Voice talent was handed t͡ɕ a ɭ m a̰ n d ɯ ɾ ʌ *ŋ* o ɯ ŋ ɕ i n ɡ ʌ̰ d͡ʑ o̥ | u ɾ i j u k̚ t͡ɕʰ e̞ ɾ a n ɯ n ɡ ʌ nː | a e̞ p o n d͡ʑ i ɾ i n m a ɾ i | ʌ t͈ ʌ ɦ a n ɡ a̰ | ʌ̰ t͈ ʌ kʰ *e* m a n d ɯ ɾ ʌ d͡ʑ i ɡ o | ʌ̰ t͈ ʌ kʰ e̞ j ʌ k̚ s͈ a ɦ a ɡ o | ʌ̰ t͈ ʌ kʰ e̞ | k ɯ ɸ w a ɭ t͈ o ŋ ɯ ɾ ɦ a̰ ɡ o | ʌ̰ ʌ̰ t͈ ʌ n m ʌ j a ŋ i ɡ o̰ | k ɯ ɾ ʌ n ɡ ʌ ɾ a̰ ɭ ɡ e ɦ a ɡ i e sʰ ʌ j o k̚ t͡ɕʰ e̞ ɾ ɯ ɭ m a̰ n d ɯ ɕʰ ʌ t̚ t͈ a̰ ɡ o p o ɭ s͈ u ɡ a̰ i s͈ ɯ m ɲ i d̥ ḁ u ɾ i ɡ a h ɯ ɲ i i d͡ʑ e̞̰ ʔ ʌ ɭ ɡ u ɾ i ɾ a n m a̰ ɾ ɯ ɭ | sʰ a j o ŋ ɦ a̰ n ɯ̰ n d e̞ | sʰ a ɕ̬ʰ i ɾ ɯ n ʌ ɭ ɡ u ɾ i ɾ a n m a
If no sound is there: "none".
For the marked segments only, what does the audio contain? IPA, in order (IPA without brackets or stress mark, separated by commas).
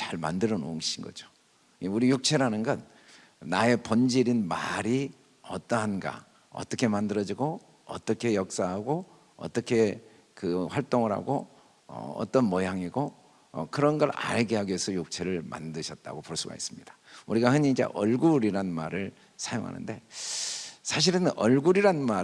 n, e